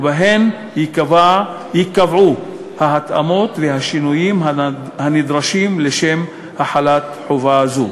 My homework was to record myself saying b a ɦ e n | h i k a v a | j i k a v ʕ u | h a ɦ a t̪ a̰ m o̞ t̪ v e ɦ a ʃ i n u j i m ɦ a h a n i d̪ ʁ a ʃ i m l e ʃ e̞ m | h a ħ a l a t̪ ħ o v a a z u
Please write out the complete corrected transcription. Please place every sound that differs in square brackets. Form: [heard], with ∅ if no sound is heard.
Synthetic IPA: b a ɦ e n | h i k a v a | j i k a v ʕ u | h a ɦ a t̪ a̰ m o̞ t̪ v e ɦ a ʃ i n u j i m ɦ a h a n i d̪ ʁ a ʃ i m l e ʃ e̞ m | h a ħ a l a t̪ ħ o v a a z u